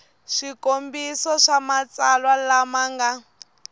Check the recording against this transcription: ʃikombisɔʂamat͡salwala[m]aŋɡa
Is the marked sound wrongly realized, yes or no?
no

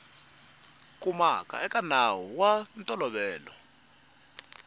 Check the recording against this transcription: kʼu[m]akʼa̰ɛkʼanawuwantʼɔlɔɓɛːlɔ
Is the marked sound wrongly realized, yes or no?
no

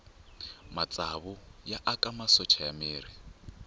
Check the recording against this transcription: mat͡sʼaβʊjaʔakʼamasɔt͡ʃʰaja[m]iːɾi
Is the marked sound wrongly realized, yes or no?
no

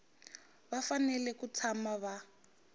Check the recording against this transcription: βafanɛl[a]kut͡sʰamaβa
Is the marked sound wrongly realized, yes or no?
yes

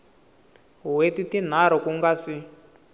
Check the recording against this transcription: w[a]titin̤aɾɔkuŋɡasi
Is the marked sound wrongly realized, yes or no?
yes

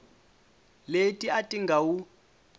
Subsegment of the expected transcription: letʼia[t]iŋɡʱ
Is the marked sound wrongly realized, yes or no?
yes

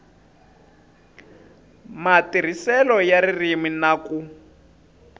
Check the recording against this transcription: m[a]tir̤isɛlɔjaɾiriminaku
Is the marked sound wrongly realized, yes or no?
no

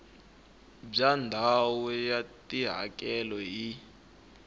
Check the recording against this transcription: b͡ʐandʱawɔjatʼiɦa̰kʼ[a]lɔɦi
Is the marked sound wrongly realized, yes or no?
yes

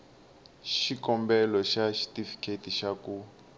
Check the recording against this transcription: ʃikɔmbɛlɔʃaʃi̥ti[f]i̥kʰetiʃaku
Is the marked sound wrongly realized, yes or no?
no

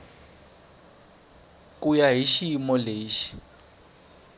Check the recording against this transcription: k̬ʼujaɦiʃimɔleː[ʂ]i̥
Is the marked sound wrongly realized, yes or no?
yes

